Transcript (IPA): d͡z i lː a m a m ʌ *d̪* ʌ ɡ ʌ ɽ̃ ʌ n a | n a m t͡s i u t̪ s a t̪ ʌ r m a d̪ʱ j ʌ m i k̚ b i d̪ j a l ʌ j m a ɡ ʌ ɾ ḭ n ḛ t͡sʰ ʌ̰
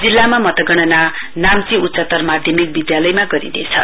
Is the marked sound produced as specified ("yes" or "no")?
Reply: no